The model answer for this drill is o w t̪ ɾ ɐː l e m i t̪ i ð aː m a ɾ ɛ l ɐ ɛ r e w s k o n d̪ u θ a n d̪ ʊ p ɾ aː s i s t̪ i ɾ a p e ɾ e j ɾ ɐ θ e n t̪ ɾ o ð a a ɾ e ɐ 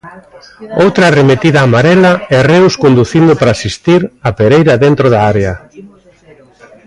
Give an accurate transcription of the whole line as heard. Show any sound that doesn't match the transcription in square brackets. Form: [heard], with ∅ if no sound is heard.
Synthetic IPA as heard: o w t̪ ɾ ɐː [r] e m [e] t̪ i ð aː m a ɾ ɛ l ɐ ɛ r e w s k o n d̪ u θ [i] n d̪ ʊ p ɾ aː s i s t̪ i ɾ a p e ɾ e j ɾ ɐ [ð] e n t̪ ɾ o ð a a ɾ e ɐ